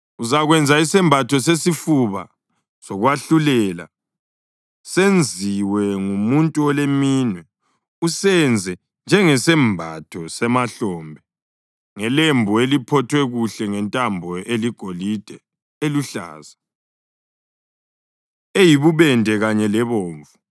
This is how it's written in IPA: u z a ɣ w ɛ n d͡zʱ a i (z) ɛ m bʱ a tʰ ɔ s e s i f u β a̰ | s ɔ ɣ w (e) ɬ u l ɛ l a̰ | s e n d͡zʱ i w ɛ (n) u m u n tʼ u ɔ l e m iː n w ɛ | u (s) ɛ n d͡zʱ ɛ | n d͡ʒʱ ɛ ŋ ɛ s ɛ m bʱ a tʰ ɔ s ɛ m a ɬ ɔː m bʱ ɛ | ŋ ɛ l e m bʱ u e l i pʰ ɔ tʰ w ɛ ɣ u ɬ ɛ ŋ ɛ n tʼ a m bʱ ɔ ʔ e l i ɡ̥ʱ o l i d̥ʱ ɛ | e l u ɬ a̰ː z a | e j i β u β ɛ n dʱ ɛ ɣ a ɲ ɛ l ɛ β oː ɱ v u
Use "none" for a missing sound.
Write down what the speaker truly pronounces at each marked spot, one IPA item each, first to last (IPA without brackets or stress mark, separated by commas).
s, a, ŋ, s